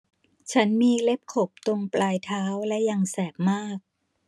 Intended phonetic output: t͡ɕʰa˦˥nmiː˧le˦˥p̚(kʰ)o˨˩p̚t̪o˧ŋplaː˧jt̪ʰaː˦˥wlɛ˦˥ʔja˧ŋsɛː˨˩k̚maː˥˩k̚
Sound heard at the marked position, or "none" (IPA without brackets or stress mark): kʰ